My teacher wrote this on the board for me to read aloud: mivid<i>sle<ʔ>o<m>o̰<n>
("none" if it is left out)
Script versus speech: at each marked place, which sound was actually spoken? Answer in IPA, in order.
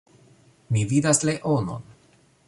a, ʔ, n, n

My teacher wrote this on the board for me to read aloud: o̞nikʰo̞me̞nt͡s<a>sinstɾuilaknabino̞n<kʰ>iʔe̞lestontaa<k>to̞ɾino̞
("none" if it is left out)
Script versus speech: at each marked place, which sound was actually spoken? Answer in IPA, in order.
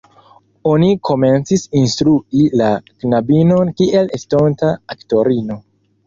i, k, k

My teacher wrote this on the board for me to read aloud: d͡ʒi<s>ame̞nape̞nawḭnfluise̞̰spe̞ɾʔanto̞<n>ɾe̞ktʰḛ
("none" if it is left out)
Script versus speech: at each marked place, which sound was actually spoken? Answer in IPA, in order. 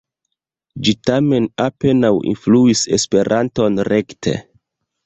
t, n

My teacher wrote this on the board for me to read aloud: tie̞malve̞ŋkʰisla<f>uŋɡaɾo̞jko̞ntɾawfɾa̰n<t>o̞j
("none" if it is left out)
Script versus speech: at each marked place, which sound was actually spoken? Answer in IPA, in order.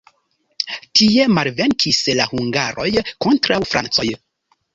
h, t͡s

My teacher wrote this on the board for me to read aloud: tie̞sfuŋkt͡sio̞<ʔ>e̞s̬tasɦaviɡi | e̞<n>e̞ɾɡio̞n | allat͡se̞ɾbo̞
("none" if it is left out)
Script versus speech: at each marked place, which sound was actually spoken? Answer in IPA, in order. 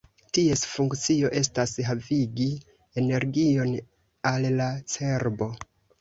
ʔ, n

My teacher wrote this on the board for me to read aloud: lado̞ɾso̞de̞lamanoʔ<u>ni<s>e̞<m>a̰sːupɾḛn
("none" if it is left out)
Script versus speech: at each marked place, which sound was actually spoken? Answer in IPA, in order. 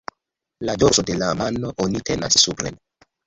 o, t, n

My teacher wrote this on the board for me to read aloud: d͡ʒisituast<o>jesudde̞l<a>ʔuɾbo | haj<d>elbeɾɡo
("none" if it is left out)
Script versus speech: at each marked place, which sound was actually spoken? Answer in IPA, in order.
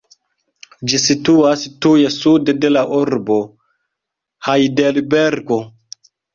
u, a, d

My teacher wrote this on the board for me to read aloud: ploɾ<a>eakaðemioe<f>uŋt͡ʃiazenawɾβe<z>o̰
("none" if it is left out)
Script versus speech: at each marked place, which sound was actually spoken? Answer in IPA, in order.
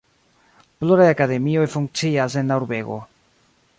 a, f, ɣ

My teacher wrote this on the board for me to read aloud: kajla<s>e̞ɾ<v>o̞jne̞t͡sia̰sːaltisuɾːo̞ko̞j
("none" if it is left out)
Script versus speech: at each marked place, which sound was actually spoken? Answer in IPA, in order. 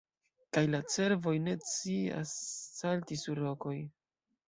t͡s, v

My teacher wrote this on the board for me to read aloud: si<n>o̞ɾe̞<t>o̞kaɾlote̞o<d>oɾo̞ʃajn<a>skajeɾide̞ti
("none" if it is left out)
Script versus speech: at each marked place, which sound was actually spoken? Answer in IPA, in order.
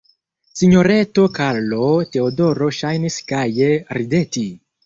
ɲ, t, d, i

